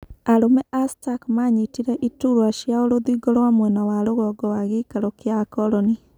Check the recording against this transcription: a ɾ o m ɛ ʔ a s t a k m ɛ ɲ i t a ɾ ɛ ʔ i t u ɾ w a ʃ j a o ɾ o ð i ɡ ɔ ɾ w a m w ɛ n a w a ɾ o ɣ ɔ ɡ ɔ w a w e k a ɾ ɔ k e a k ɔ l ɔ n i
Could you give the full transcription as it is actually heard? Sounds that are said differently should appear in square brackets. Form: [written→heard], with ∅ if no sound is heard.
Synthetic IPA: a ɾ o m ɛ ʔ a s t a k m [ɛ→a] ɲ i t [a→i] ɾ ɛ ʔ i t u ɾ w a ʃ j a o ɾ o ð i ɡ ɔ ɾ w a m w ɛ n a w a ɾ o ɣ ɔ ɡ ɔ w a [w→ɣ] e k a ɾ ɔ k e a k ɔ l ɔ n i